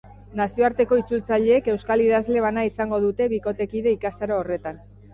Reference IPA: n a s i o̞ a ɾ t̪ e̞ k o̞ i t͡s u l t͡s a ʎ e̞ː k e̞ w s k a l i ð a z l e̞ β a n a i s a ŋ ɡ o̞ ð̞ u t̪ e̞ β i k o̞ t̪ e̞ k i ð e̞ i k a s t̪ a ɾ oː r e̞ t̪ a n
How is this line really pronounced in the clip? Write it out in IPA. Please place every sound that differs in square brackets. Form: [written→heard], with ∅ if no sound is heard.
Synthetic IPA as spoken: n a s i o̞ a ɾ t̪ e̞ k o̞ i t͡s u l t͡s a ʎ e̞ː k e̞ w s k a l i ð a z l e̞ β a n a i s a ŋ ɡ o̞ ð̞ u t̪ e̞ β i k o̞ t̪ e̞ k i ð e̞ i k a s t̪ a ɾ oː r e̞ t̪ a n

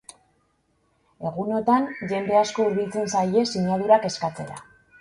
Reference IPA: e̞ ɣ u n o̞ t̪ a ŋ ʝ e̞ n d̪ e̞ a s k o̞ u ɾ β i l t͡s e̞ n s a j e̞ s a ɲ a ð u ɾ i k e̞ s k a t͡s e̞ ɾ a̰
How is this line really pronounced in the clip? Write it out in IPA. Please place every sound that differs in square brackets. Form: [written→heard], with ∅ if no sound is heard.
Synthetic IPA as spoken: e̞ ɣ u n o̞ t̪ a [ŋ→n] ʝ e̞ n d̪ e̞ a s k o̞ u ɾ β i l t͡s e̞ n s a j e̞ s [a→i] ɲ a ð u ɾ [i→a] k e̞ s k a t͡s e̞ ɾ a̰

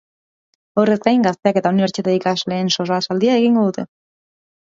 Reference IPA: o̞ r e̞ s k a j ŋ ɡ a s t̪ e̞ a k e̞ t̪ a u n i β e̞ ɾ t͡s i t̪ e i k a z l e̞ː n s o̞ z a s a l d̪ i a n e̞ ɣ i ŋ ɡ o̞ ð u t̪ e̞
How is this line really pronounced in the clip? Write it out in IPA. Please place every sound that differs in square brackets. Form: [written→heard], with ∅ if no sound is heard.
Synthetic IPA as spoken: o̞ r e̞ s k a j ŋ ɡ a s t̪ e̞ a k e̞ t̪ a u n i β e̞ ɾ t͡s i t̪ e i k a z l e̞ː n s o̞ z a s a l d̪ i a [n→∅] e̞ ɣ i ŋ ɡ o̞ ð u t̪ e̞

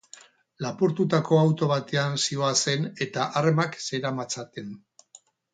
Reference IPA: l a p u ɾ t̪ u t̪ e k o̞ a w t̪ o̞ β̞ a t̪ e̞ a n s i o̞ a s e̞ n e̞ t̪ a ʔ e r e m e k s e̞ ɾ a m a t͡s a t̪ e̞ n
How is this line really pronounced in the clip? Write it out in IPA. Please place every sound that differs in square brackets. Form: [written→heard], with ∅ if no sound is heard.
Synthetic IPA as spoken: l a p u ɾ t̪ u t̪ [e→a] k o̞ a w t̪ o̞ β̞ a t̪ e̞ a n s i o̞ a s e̞ n e̞ t̪ a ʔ [e→a] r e m [e→a] k s e̞ ɾ a m a t͡s a t̪ e̞ n

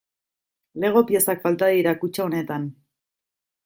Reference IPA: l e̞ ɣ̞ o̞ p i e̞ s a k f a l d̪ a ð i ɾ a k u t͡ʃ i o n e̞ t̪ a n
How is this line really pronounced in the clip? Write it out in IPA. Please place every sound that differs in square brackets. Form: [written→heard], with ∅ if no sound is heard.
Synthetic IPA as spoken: l e̞ ɣ̞ o̞ p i e̞ s a k f a l [d̪→t̪] a ð i ɾ a k u t͡ʃ [i→a] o n e̞ t̪ a n

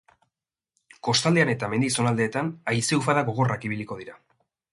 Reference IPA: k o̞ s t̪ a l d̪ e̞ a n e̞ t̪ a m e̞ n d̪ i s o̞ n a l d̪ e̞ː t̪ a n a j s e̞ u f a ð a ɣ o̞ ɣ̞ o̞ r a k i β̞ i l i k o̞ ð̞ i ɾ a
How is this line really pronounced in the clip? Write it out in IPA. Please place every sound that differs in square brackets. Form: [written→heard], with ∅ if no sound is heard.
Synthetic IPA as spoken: k o̞ s t̪ a l d̪ e̞ a n e̞ t̪ a m e̞ n d̪ i s o̞ n a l d̪ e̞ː t̪ a n a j s e̞ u f a ð a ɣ o̞ ɣ̞ o̞ r a k i β̞ i l i k o̞ ð̞ i ɾ a

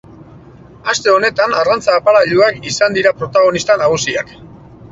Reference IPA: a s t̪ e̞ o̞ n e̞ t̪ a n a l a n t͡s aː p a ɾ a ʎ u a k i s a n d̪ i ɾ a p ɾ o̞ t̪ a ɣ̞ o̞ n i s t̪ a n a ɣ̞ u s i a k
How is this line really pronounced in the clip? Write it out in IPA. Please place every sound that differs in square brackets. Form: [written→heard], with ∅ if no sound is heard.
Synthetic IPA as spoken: a s t̪ e̞ o̞ n e̞ t̪ a n a [l→r] a n t͡s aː p a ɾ a ʎ u a k i s a n d̪ i ɾ a p ɾ o̞ t̪ a ɣ̞ o̞ n i s t̪ a n a ɣ̞ u s i a k

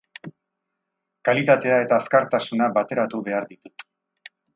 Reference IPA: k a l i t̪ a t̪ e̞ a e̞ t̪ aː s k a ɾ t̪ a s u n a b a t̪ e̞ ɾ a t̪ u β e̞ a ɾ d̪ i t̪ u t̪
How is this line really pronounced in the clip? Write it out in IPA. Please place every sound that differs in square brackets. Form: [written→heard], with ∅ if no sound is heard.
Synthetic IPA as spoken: k a l i t̪ a t̪ e̞ a e̞ t̪ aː s k a ɾ t̪ a s u n a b a t̪ e̞ ɾ a t̪ u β e̞ a ɾ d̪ i t̪ u t̪

